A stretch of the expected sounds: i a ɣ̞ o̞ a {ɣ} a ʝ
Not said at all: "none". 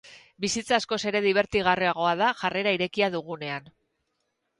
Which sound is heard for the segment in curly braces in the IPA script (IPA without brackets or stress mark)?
ð